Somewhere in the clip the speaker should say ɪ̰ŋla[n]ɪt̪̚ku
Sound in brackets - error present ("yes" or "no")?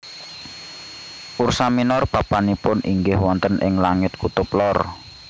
yes